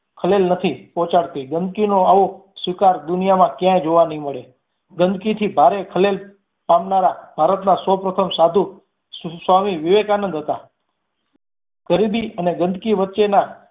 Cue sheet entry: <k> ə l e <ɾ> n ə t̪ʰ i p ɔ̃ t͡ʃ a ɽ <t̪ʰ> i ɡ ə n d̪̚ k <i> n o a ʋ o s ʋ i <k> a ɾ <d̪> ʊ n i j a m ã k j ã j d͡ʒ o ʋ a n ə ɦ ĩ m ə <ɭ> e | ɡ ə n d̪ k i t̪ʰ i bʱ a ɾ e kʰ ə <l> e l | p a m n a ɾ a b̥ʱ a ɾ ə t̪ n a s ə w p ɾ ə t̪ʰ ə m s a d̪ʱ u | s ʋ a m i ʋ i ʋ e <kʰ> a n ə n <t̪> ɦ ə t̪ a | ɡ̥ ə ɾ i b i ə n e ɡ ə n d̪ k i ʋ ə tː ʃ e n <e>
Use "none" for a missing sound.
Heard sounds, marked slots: kʰ, l, t̪, i, k, d̪, ɭ, l, k, d̪, a

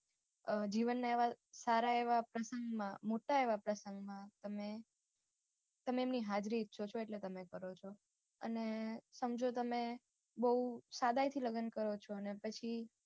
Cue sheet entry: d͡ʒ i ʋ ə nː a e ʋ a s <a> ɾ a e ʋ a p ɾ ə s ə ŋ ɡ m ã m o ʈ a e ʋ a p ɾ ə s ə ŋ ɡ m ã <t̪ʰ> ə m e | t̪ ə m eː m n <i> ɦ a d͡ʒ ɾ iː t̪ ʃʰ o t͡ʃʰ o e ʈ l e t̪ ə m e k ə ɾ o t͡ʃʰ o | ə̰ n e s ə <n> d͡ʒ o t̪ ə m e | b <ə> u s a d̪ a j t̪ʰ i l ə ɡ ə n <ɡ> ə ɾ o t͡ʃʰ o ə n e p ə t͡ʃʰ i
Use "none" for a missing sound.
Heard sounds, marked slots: a, t̪, i, m, ə, k

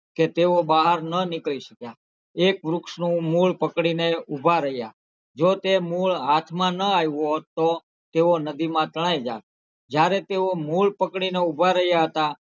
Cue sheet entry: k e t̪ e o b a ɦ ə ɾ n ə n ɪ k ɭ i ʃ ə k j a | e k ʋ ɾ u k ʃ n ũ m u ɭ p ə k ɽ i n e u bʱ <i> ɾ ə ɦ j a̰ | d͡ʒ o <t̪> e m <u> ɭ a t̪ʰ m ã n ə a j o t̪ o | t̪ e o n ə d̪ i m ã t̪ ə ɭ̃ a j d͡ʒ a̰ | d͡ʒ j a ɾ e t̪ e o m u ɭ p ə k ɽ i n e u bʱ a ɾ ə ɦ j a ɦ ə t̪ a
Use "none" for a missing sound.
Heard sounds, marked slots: a, t̪, u

